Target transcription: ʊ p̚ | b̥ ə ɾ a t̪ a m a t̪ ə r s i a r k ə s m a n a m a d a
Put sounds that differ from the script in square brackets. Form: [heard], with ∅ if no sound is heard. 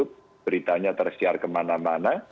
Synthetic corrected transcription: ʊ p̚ | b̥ ə ɾ [i] t̪ a [ɲ] a t̪ ə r s i a r k ə [∅] m a n a m a [n] a